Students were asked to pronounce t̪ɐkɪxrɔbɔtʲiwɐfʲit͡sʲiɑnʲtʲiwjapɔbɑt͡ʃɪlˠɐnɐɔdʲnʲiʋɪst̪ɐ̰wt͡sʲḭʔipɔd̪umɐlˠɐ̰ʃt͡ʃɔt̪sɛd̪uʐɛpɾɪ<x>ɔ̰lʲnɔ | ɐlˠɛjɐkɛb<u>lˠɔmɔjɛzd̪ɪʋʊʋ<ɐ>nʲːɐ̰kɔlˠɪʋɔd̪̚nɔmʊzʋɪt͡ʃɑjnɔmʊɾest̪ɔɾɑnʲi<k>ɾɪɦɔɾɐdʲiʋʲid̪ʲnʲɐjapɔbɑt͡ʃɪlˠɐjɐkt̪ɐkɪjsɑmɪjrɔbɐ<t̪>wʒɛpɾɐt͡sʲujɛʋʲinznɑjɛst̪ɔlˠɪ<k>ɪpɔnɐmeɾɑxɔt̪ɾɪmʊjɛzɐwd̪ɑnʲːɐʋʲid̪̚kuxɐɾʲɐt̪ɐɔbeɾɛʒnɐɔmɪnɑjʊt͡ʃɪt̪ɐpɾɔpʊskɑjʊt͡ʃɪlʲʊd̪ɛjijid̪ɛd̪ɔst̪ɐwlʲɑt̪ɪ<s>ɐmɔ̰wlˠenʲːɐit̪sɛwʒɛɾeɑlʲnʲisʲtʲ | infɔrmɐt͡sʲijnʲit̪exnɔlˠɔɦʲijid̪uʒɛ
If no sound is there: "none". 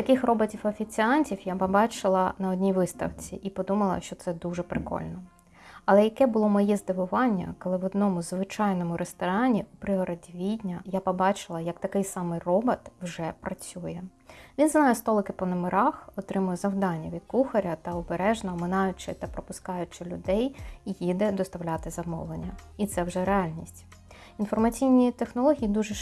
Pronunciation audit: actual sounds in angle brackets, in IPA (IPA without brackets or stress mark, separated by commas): k, ʊ, ɑ, p, t̪, k, z